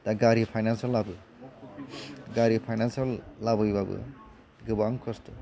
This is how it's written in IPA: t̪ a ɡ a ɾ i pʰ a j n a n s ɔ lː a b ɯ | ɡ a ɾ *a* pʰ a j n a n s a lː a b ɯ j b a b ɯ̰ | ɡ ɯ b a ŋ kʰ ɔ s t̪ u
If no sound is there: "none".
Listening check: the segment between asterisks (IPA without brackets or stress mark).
i